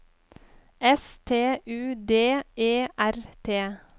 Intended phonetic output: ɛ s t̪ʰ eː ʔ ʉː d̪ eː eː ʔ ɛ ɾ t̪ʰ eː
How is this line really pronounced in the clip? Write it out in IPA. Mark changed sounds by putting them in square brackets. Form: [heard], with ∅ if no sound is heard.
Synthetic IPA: ɛ s t̪ʰ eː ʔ ʉː d̪ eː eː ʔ [æ] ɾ t̪ʰ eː